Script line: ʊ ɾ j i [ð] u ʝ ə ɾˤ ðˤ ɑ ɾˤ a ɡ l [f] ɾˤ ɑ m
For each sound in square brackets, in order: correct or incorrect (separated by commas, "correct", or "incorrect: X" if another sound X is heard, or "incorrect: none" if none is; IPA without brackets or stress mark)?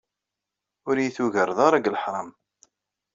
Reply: incorrect: θ, incorrect: ħ